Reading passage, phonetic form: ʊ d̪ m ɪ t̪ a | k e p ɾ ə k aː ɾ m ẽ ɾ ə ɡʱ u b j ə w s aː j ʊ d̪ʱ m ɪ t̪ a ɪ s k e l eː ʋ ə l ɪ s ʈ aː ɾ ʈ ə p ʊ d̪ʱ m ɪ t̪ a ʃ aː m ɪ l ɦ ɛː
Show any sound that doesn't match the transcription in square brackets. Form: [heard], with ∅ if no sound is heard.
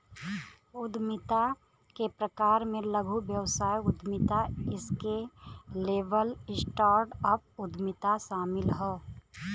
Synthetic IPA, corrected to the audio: ʊ d̪ m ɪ t̪ a | k e p ɾ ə k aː ɾ m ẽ [l] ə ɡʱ u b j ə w s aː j ʊ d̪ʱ m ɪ t̪ a ɪ s k e l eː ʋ ə l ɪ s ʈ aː ɾ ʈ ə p ʊ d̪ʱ m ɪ t̪ a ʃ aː m ɪ l ɦ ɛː